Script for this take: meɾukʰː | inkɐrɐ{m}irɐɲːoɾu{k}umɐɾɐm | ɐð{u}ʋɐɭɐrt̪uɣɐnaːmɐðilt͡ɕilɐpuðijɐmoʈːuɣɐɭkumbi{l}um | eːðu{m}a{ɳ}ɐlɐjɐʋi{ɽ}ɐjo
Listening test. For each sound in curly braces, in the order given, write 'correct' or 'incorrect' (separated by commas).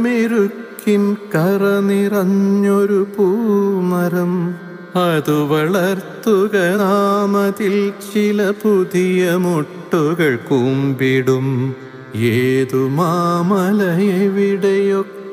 incorrect, incorrect, correct, incorrect, correct, incorrect, correct